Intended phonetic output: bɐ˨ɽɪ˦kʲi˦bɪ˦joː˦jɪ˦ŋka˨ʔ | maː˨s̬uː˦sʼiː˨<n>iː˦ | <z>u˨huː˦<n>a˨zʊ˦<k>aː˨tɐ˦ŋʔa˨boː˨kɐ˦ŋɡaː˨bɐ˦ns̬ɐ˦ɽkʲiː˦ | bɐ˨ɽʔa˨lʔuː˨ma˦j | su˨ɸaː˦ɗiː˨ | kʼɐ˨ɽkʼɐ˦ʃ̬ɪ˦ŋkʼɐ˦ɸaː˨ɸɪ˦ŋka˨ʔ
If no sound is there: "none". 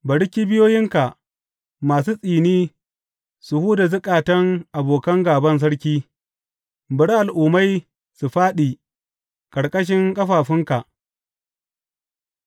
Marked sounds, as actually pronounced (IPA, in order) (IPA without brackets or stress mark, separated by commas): n, s, d, kʼ